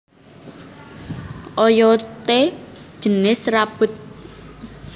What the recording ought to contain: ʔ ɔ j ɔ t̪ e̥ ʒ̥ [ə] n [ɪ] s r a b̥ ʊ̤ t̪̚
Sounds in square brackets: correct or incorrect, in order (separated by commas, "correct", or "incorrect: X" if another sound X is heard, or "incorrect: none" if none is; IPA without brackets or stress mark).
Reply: correct, correct